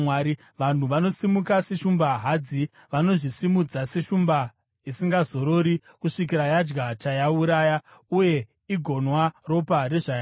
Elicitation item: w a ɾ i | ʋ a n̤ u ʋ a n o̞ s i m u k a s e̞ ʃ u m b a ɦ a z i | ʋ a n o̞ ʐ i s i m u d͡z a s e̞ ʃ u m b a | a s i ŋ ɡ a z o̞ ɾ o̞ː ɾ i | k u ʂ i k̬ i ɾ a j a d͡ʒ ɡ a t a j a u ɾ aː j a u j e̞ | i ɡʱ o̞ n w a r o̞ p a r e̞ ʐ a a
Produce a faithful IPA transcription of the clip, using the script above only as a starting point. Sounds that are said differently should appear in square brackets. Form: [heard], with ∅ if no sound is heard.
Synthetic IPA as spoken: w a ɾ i | ʋ a n̤ u ʋ a n o̞ s i m u k a s e̞ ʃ u m b a ɦ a [d͡z] i | ʋ a n o̞ ʐ i s i m u d͡z a s e̞ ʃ u m b a | [i] s i ŋ ɡ a z o̞ ɾ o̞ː ɾ i | k u ʂ i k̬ i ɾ a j a d͡ʒ ɡ a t a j a u ɾ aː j a u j e̞ | i ɡʱ o̞ n w a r o̞ p a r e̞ ʐ a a